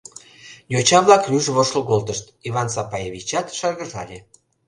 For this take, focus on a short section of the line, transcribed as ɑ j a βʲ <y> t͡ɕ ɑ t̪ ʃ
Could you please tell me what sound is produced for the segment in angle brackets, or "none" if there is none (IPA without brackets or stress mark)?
i